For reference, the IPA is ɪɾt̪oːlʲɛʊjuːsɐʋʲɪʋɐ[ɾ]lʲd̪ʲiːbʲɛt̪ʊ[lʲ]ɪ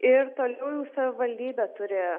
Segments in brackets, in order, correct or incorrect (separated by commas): incorrect, incorrect